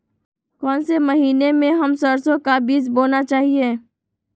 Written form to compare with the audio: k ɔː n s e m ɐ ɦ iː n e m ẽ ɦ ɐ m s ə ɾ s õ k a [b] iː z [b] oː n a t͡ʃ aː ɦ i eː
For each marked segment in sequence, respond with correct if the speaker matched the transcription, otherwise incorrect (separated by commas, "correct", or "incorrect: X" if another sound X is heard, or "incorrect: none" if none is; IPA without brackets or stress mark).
correct, correct